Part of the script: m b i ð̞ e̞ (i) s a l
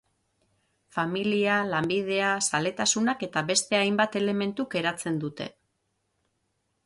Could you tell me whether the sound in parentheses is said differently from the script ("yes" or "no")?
yes